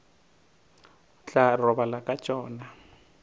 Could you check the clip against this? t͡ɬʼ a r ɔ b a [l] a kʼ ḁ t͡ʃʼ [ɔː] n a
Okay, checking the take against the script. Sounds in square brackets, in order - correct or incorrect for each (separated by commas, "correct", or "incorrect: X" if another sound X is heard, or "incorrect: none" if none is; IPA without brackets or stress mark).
correct, correct